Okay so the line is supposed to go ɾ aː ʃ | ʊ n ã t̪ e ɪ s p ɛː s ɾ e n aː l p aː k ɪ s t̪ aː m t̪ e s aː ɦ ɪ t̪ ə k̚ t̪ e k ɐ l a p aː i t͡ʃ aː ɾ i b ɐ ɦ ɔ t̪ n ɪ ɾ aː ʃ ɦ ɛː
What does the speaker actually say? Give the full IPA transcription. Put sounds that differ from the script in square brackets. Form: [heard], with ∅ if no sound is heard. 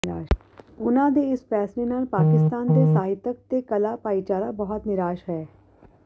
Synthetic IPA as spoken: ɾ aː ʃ | ʊ n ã [d̪] e ɪ s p ɛː s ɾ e n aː l p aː k ɪ s t̪ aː [n] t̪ e s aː ɦ ɪ t̪ ə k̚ t̪ e k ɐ l a p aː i t͡ʃ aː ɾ [a] b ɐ ɦ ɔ t̪ n ɪ ɾ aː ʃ ɦ ɛː